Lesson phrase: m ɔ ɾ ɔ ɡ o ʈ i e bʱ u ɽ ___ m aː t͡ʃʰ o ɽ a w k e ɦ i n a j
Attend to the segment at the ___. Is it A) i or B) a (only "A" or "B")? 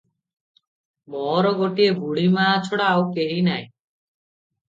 A